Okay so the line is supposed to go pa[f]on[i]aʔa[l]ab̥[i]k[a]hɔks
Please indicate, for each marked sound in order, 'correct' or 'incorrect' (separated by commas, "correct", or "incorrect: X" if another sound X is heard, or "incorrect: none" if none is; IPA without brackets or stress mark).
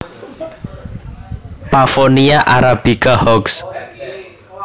correct, correct, incorrect: ɾ, correct, correct